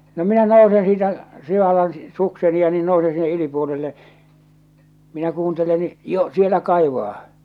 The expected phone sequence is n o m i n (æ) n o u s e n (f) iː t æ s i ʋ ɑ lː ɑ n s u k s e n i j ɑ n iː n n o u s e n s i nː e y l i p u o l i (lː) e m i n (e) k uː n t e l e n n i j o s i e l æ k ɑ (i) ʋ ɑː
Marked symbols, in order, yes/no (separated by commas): yes, no, yes, no, yes